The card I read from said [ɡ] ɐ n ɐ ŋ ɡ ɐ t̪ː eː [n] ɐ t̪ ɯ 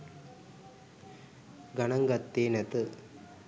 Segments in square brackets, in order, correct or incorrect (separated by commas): correct, correct